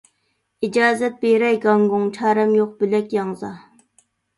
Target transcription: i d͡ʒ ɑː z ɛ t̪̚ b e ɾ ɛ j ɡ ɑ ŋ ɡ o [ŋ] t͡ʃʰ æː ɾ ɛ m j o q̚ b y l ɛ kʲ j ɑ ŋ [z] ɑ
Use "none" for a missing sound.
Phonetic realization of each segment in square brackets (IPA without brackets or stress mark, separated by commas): ŋ, z